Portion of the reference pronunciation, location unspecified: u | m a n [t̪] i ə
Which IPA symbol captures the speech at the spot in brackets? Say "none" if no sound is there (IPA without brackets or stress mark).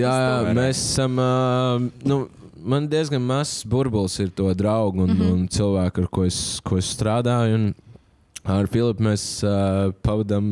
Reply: d̪